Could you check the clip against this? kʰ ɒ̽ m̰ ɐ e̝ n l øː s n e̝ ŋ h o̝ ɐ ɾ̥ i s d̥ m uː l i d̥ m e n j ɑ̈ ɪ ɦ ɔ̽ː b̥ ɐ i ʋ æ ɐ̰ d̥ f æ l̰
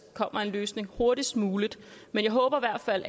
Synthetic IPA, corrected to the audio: kʰ ɒ̽ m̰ ɐ e̝ n l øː s n e̝ ŋ h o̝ ɐ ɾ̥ i s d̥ m uː l i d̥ m e n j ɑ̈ ɪ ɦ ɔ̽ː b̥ ɐ i ʋ æ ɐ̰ d̥ f æ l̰